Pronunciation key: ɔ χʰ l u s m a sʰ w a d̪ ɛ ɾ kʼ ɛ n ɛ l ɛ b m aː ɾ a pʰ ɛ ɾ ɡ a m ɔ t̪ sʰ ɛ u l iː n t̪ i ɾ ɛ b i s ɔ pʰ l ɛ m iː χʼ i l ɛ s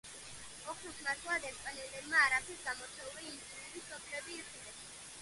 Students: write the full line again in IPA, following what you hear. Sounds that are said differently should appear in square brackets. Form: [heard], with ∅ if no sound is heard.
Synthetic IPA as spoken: ɔ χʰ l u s m a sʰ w a d̪ ɛ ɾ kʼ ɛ n ɛ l ɛ b m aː ɾ a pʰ ɛ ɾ ɡ a m ɔ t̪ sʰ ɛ u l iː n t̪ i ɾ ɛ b i s ɔ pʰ l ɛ [b] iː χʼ i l ɛ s

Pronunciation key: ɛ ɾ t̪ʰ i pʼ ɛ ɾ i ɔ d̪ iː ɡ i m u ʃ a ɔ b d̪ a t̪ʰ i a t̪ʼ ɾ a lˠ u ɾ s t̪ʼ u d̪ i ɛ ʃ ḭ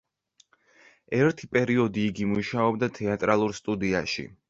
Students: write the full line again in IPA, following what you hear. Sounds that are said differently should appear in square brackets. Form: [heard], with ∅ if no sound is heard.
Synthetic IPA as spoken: ɛ ɾ t̪ʰ i pʼ ɛ ɾ i ɔ d̪ iː ɡ i m u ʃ a ɔ b d̪ a t̪ʰ [ɛ] a t̪ʼ ɾ a lˠ u ɾ s t̪ʼ u d̪ i [a] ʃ ḭ

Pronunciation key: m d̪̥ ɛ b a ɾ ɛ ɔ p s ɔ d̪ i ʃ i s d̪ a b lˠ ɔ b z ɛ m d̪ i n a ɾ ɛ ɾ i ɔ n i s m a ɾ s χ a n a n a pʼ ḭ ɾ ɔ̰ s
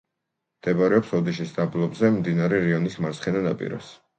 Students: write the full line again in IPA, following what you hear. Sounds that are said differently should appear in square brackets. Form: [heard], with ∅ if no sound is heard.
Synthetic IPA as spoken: m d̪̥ ɛ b a ɾ ɛ ɔ p s ɔ d̪ i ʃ i s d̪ a b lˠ ɔ b z ɛ m d̪ i n a ɾ ɛ ɾ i ɔ n i s m a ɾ s χ [ɛ] n a n a pʼ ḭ ɾ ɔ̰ s

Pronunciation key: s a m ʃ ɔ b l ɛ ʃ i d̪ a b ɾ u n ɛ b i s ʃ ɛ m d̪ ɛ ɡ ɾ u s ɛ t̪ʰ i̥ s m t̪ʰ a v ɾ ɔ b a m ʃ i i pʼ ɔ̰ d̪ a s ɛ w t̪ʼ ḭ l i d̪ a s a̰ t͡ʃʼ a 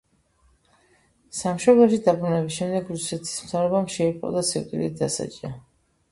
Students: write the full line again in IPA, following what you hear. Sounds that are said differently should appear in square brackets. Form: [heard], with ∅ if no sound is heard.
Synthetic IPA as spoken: s a m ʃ ɔ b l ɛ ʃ i d̪ a b ɾ u n ɛ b i s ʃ ɛ m d̪ ɛ ɡ ɾ u s ɛ t̪ʰ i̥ s m t̪ʰ a v ɾ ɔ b a m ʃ [ɛ] i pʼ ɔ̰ d̪ a s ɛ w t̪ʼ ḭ l i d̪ a s a̰ t͡ʃʼ a

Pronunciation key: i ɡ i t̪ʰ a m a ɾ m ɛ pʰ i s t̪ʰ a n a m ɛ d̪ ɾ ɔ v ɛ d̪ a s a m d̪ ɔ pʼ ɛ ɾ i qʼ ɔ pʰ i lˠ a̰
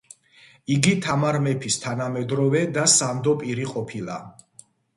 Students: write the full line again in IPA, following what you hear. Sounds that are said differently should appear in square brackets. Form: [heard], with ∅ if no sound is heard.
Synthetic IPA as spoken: i ɡ i t̪ʰ a m a ɾ m ɛ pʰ i s t̪ʰ a n a m ɛ d̪ ɾ ɔ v ɛ d̪ a s a m d̪ ɔ pʼ [i] ɾ i qʼ ɔ pʰ i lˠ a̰

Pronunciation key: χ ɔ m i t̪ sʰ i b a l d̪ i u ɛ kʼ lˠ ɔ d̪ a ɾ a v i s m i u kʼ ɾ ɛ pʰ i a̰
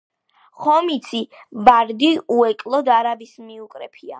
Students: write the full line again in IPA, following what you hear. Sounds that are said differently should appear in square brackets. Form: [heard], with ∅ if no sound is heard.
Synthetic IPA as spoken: χ ɔ m i t̪ sʰ i b a [ɾ] d̪ i u ɛ kʼ lˠ ɔ d̪ a ɾ a v i s m i u kʼ ɾ ɛ pʰ i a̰

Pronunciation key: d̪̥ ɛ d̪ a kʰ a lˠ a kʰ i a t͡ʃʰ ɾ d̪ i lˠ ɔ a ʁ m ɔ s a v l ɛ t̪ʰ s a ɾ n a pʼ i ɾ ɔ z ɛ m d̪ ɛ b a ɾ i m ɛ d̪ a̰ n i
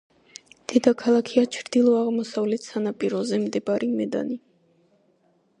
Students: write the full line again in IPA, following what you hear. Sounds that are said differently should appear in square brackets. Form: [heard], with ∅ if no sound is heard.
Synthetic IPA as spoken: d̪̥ ɛ d̪ a kʰ a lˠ a kʰ i a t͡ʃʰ ɾ d̪ i lˠ ɔ a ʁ m ɔ s a v l ɛ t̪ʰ s a [∅] n a pʼ i ɾ ɔ z ɛ m d̪ ɛ b a ɾ i m ɛ d̪ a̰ n i

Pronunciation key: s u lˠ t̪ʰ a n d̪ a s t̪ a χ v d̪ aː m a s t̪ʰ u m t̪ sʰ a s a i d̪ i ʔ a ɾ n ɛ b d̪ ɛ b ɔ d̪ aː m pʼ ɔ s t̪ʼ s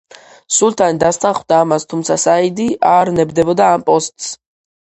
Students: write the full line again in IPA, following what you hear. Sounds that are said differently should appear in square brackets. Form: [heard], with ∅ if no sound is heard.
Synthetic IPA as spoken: s u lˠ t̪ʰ a n d̪ a s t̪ a χ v d̪ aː m a s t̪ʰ u m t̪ sʰ a s a i d̪ i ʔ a ɾ n ɛ b d̪ ɛ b ɔ d̪ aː m pʼ ɔ s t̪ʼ s

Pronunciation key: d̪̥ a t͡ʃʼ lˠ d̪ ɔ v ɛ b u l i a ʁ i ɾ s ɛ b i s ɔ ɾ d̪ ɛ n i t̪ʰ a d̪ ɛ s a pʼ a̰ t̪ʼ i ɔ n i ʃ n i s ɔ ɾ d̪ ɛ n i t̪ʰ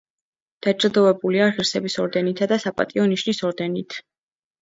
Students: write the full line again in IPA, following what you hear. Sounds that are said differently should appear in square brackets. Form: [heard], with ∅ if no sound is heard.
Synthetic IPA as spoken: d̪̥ a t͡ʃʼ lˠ d̪ ɔ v ɛ b u l i a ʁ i ɾ s ɛ b i s ɔ ɾ d̪ ɛ n i t̪ʰ a d̪ [a] s a pʼ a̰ t̪ʼ i ɔ n i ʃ n i s ɔ ɾ d̪ ɛ n i t̪ʰ

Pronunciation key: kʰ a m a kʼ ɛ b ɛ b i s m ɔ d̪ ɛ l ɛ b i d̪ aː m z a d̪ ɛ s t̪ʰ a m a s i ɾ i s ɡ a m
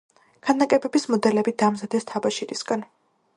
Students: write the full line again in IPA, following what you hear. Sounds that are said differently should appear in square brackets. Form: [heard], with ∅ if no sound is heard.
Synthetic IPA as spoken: kʰ a [n] a kʼ ɛ b ɛ b i s m ɔ d̪ ɛ l ɛ b i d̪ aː m z a d̪ ɛ s t̪ʰ a [b] a [ʃ] i ɾ i s ɡ a [n]

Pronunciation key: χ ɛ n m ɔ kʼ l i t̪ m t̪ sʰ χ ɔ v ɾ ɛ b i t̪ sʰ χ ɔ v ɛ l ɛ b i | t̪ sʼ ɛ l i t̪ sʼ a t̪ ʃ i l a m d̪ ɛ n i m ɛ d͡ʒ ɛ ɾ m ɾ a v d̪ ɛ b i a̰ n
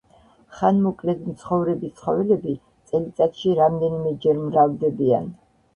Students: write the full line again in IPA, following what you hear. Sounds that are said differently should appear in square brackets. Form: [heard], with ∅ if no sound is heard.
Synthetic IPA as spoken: χ [a] n m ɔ kʼ l [ɛ] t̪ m t̪ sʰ χ ɔ v ɾ ɛ b i t̪ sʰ χ ɔ v ɛ l ɛ b i | t̪ sʼ ɛ l i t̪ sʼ a t̪ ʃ i [ɾ] a m d̪ ɛ n i m ɛ d͡ʒ ɛ ɾ m ɾ a v d̪ ɛ b i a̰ n

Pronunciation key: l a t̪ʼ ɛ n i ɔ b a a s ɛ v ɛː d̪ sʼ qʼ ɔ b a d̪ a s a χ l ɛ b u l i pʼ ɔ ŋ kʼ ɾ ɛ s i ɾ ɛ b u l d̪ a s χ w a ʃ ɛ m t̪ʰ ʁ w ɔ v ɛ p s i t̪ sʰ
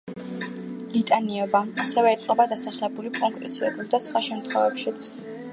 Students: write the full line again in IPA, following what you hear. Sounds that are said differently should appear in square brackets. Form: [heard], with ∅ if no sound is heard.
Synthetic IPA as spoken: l [i] t̪ʼ [a] n i ɔ b a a s ɛ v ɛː [t̪] sʼ qʼ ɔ b a d̪ a s a χ l ɛ b u l i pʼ ɔ ŋ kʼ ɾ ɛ s i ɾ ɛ b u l d̪ a s χ w a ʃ ɛ m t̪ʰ [χ] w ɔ v ɛ p [ʃ] i t̪ sʰ

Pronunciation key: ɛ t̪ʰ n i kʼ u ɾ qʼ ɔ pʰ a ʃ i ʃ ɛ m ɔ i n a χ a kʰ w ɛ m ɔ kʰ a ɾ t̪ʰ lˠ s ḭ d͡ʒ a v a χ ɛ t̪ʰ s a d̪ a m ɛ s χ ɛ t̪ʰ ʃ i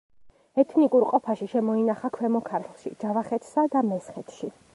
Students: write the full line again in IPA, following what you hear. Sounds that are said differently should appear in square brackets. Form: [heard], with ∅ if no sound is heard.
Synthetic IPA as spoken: ɛ t̪ʰ n i kʼ u ɾ qʼ ɔ pʰ a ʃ i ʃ ɛ m ɔ i n a χ a kʰ w ɛ m ɔ kʰ a ɾ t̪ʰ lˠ [ʃ] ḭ d͡ʒ a v a χ ɛ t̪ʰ s a d̪ a m ɛ s χ ɛ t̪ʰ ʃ i

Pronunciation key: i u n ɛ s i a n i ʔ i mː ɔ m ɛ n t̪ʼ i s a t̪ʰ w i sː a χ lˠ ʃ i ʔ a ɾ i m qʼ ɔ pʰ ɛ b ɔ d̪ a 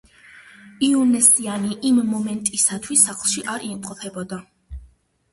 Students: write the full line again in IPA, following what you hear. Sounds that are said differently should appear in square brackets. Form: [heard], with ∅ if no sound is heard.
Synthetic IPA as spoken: i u n ɛ s i a n i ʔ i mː ɔ m ɛ n t̪ʼ i s a t̪ʰ w i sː a χ lˠ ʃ i ʔ a ɾ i m qʼ ɔ pʰ ɛ b ɔ d̪ a

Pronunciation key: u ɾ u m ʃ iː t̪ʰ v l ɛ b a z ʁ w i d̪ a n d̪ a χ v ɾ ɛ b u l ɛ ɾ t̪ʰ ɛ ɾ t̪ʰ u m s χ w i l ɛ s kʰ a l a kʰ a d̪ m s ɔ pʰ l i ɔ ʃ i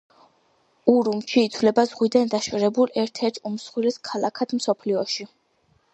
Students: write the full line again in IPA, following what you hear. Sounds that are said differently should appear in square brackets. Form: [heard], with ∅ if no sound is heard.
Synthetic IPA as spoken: u ɾ u m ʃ iː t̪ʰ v l ɛ b a z ʁ w i d̪ a n d̪ a [ʃ] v ɾ ɛ b u l ɛ ɾ t̪ʰ ɛ ɾ t̪ʰ u m s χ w i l ɛ s kʰ a l a kʰ a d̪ m s ɔ pʰ l i ɔ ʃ i

